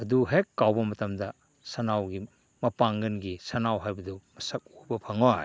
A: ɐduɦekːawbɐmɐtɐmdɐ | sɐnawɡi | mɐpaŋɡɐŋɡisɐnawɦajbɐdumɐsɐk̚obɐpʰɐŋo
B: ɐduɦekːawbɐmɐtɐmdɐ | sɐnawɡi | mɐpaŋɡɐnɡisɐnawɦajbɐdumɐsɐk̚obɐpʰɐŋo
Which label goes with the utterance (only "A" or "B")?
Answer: B